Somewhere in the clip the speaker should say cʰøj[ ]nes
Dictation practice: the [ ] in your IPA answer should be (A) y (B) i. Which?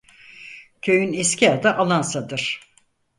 A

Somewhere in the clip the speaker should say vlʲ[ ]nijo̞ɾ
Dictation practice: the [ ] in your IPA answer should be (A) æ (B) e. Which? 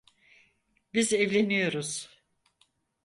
B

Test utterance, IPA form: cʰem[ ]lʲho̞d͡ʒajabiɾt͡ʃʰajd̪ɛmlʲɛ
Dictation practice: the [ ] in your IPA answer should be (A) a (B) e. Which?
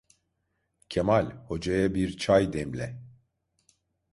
A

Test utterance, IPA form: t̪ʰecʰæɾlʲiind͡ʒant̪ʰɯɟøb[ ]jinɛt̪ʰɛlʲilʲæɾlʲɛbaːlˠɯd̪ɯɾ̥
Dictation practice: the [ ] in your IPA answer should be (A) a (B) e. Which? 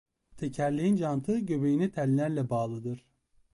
B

